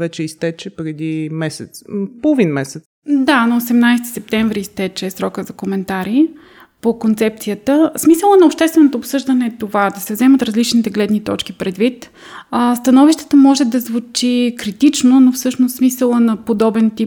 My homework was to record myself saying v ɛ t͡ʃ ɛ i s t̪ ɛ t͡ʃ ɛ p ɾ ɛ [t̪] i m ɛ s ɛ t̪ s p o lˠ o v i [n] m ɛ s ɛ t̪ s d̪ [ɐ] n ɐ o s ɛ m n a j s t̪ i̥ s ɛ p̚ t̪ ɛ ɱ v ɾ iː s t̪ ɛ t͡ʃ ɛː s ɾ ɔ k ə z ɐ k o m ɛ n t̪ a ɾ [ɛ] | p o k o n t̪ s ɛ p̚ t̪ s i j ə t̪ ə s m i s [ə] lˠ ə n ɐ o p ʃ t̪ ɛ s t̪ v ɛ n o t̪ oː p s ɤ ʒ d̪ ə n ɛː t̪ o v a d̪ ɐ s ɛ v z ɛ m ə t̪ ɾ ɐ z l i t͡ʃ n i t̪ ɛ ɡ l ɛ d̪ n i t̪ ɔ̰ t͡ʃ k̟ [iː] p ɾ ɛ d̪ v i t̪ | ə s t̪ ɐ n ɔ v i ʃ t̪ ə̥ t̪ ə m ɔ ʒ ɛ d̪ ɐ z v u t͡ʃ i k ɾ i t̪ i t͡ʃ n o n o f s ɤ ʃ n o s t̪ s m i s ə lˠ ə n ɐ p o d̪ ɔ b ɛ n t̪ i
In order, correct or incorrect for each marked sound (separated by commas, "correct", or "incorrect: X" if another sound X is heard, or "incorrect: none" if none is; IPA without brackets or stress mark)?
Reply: incorrect: d̪, correct, incorrect: a, incorrect: i, correct, incorrect: i